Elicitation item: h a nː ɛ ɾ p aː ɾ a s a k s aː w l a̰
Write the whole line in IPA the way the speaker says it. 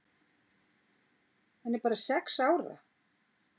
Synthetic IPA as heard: h a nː ɛ ɾ p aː ɾ a s ɛ k s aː w ɾ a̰